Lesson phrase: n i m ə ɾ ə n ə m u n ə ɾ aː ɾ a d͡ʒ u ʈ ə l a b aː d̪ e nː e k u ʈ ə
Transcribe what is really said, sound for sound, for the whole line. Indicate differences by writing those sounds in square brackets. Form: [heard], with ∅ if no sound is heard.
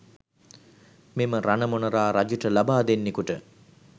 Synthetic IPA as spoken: [m] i m ə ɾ [a] n ə m [o] n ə ɾ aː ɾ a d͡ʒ u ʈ ə l a b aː d̪ e nː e k u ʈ ə